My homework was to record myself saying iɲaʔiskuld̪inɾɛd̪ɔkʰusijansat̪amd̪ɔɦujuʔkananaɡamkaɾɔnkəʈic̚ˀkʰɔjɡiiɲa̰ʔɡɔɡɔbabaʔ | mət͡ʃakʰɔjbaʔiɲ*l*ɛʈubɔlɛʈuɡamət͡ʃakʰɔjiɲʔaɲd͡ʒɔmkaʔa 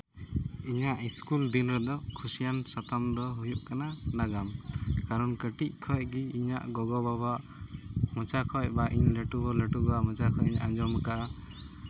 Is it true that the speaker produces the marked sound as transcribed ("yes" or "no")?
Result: yes